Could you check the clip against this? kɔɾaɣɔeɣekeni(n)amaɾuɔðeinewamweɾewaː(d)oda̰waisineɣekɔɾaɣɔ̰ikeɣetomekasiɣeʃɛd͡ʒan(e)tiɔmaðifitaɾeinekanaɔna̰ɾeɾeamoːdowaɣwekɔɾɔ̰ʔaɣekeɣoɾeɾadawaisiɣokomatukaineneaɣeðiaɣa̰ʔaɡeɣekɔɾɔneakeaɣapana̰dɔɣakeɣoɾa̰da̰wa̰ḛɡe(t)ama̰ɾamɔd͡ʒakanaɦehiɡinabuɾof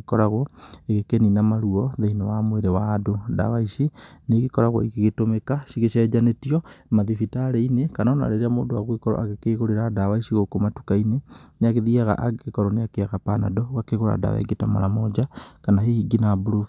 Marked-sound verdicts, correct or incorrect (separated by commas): correct, correct, correct, correct